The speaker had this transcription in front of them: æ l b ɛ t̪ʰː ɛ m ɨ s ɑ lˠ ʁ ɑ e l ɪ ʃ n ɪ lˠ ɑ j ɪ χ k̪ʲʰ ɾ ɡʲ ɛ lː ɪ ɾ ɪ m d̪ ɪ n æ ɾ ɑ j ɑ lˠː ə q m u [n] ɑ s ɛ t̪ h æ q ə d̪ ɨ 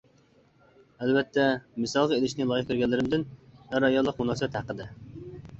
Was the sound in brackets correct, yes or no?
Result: yes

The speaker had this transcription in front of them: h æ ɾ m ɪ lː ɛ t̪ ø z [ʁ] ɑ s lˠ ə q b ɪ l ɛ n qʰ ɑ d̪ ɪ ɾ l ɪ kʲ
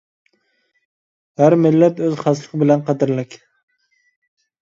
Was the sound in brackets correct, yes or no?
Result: no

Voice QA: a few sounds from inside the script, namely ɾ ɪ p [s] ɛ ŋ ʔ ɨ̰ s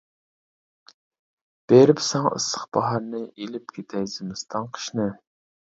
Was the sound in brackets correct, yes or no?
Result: yes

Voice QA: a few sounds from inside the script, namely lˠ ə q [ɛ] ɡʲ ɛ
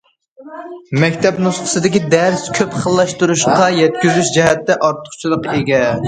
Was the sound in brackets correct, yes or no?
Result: no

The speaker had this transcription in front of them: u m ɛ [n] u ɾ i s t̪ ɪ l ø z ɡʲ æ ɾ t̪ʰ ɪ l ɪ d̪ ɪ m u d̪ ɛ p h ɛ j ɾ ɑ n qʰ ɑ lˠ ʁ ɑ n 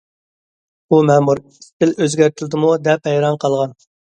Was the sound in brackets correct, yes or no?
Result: no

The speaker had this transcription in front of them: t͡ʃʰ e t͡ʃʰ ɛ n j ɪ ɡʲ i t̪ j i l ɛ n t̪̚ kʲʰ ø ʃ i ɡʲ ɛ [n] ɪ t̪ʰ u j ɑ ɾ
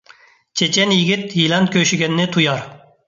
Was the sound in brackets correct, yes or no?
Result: no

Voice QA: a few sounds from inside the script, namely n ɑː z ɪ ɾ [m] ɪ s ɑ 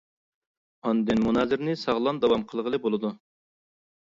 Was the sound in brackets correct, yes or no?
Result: no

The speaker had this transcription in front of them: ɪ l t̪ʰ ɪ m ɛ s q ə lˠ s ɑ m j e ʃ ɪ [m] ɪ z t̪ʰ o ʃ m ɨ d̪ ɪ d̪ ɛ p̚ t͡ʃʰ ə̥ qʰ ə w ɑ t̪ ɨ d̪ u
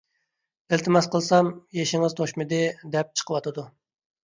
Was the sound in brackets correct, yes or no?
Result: no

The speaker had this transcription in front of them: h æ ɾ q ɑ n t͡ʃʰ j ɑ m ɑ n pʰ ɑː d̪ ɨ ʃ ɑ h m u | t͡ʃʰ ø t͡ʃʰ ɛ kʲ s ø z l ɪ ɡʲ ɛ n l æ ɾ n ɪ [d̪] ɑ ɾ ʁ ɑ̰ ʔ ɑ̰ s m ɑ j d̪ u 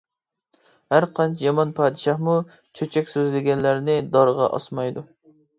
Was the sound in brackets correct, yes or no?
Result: yes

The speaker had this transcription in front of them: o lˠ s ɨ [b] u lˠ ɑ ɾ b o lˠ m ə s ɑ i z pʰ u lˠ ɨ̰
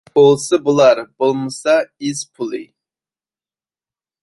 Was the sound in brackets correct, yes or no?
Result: yes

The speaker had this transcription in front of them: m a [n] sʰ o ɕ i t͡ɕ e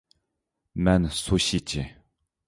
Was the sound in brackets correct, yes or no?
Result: yes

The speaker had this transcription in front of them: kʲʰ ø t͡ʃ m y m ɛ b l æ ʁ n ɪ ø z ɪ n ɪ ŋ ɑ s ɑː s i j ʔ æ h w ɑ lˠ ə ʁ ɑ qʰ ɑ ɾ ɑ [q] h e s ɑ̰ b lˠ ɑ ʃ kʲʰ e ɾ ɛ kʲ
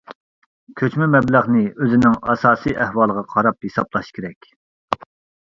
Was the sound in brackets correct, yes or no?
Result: no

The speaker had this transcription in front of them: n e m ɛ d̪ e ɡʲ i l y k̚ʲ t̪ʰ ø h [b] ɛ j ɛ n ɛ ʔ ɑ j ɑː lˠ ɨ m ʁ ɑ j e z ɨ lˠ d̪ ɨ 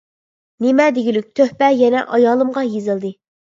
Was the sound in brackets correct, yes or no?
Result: no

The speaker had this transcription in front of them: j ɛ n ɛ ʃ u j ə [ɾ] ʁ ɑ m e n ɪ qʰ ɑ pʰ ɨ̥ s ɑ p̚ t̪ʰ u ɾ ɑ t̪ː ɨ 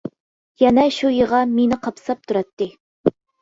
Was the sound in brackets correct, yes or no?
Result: no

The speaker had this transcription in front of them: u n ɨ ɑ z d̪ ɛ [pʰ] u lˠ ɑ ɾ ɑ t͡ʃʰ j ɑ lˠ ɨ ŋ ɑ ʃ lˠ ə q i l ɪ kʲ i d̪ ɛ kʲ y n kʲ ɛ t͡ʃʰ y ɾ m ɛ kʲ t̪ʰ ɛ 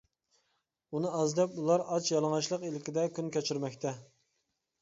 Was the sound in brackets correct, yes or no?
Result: no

